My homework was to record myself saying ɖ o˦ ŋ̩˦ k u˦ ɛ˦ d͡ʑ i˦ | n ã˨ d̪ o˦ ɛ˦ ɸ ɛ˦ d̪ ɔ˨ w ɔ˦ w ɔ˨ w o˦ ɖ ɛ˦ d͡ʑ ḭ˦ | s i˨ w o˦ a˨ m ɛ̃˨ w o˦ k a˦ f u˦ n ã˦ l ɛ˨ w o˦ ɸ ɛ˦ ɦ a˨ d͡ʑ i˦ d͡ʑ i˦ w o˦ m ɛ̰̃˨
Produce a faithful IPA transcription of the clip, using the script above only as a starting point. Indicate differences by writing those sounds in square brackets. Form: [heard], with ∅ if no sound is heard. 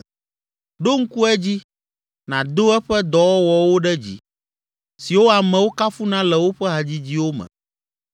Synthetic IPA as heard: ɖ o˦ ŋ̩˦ k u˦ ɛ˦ d͡ʑ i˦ | n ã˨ d̪ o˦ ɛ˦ ɸ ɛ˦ d̪ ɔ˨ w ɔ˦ w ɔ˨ w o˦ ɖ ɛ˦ d͡ʑ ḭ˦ | s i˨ w o˦ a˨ m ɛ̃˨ w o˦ k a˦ f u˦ n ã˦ l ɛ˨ w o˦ ɸ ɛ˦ ɦ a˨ d͡ʑ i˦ d͡ʑ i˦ w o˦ m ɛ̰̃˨